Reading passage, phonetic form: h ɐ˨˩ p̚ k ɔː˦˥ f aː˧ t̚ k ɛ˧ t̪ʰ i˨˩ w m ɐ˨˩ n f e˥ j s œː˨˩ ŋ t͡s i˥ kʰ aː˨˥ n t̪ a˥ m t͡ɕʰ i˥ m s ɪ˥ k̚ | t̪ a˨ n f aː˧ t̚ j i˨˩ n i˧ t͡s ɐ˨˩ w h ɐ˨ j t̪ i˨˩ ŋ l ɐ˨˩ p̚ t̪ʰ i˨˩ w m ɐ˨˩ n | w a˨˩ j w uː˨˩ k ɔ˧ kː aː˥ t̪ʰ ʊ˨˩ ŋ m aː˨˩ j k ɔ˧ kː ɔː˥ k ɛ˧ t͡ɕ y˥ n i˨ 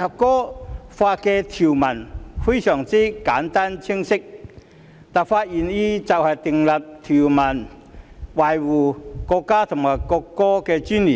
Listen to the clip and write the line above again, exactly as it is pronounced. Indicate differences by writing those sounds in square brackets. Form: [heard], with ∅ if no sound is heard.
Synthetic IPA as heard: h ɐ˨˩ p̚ k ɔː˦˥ f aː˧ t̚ k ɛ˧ t̪ʰ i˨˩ w m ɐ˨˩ n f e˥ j s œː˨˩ ŋ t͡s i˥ [k] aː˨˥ n t̪ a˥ [n] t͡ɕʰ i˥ [ŋ] s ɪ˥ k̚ | t̪ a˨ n f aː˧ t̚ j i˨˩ n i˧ t͡s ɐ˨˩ w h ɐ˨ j t̪ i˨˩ ŋ l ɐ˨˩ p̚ t̪ʰ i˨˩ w m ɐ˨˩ n | w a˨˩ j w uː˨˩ k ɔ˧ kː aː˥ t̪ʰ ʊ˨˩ ŋ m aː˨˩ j k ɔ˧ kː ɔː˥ k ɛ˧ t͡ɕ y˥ n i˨

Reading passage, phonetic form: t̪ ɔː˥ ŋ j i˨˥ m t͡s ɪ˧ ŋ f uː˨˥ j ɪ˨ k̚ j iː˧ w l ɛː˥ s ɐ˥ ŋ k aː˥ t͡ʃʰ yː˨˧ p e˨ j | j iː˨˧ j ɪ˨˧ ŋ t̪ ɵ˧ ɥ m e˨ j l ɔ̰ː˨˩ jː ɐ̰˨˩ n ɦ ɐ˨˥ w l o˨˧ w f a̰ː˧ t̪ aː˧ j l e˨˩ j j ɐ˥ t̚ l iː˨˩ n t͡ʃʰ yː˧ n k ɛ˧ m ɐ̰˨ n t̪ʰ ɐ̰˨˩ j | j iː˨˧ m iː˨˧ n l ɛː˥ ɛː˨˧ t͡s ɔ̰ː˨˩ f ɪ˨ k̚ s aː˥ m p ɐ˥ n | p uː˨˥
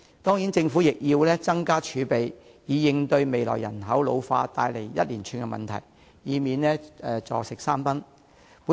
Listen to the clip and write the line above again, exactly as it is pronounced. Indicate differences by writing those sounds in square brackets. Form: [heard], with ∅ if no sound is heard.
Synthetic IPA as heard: t̪ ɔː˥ ŋ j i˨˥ [n] t͡s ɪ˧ ŋ f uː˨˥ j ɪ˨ k̚ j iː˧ w l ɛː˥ [t͡s] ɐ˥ ŋ k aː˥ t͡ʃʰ yː˨˧ p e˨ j | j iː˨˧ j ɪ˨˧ ŋ t̪ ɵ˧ ɥ m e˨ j l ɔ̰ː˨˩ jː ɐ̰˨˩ n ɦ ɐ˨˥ w l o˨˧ w f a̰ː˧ t̪ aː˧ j l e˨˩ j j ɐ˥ t̚ l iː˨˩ n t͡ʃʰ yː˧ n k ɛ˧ m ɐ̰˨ n t̪ʰ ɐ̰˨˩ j | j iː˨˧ m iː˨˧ n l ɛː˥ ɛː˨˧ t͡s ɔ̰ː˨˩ [s] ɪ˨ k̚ s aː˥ m p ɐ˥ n | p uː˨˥

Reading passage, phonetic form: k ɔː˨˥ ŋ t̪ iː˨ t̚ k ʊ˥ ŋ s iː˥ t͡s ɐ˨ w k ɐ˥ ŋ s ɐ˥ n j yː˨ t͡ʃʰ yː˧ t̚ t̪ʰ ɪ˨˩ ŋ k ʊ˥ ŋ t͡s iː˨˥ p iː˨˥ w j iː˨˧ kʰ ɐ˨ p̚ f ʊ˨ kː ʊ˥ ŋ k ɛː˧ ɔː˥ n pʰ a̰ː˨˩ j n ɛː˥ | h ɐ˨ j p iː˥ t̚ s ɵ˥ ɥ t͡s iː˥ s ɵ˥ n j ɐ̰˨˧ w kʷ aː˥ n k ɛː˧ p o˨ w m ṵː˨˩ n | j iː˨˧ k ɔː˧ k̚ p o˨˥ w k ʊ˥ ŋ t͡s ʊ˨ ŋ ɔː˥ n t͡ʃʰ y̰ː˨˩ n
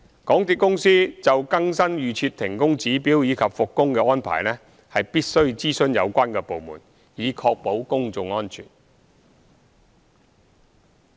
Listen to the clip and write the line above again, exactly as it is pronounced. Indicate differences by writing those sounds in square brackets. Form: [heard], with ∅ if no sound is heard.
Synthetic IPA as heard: k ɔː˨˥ ŋ t̪ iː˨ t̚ k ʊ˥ ŋ s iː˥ t͡s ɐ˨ w k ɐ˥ ŋ s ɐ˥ n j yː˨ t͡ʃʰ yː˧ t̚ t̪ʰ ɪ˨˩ ŋ k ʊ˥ ŋ t͡s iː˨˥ p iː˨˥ w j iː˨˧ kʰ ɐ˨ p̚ f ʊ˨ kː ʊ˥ ŋ k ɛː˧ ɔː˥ n pʰ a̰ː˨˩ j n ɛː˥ | h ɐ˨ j p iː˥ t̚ s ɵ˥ ɥ t͡s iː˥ s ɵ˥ n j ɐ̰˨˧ w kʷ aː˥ n k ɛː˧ p o˨ w m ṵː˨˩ n | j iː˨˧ [kʰ] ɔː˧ k̚ p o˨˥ w k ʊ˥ ŋ t͡s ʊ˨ ŋ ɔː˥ n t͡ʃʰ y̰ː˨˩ n

